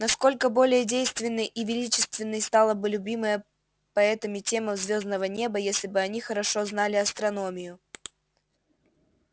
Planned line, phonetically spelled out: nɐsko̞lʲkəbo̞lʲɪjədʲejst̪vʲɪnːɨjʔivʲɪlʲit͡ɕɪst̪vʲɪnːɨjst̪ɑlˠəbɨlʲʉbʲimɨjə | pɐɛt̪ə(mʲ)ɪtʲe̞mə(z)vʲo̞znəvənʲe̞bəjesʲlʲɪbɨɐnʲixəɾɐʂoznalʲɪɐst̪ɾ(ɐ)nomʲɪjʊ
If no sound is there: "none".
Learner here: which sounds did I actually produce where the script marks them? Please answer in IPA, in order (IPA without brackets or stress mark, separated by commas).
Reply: mʲ, z, ɐ